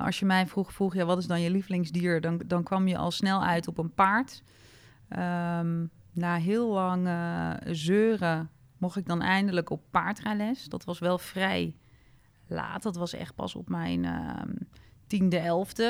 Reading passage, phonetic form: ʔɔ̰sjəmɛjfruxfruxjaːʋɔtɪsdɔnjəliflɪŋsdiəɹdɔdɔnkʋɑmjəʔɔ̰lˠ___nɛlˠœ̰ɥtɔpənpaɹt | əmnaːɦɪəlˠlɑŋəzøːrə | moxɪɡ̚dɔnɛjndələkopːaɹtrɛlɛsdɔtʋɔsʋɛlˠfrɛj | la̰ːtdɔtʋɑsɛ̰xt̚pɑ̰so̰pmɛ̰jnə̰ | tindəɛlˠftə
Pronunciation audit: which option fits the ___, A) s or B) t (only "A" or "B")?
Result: A